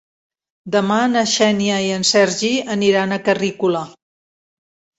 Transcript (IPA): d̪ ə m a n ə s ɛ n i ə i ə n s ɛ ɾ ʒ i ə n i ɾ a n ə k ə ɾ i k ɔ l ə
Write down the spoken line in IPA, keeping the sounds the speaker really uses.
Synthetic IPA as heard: d̪ ə m a n ə ʃ ɛ n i ə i ə n s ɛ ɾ ʒ i ə n i ɾ a n ə k ə r i k u l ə

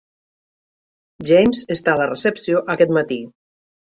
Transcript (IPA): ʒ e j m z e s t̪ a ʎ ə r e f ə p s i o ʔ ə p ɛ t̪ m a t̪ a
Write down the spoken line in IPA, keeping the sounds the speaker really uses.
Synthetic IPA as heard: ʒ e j m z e s t̪ a l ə r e s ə p s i o ʔ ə k ɛ t̪ m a t̪ i

